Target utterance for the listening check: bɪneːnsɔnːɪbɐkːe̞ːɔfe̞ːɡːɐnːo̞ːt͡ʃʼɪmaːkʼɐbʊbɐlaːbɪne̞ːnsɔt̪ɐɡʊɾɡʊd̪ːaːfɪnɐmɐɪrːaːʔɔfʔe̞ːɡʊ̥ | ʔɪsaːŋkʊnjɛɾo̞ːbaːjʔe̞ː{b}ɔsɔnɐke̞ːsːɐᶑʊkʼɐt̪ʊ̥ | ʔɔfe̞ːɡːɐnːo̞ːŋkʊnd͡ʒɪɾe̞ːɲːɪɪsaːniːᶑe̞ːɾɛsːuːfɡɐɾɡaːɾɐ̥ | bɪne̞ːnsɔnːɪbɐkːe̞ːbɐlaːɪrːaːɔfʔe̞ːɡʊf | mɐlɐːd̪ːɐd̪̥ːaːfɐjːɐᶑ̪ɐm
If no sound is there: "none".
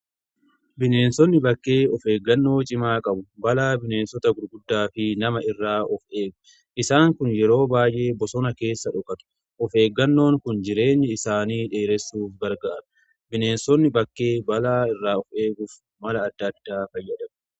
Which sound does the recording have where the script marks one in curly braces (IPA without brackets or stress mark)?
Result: b